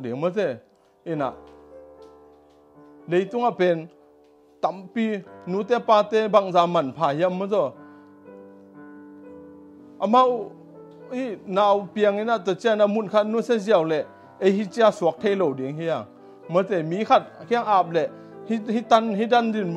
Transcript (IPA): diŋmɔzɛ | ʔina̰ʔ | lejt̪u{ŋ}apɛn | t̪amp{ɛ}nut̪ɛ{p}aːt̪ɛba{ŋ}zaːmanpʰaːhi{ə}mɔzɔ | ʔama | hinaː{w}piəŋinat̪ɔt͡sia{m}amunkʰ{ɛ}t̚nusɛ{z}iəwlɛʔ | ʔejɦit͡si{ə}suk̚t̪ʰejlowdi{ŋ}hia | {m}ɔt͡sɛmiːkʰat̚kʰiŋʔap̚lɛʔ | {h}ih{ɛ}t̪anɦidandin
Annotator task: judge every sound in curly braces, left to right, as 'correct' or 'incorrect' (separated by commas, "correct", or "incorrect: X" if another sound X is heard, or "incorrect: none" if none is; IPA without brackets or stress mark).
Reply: correct, incorrect: i, correct, correct, incorrect: a, correct, incorrect: n, incorrect: a, correct, incorrect: a, correct, correct, correct, incorrect: i